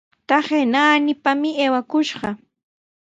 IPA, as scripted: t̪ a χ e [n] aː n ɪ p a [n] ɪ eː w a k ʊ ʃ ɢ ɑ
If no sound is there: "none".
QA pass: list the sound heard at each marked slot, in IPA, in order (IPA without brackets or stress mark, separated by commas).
n, m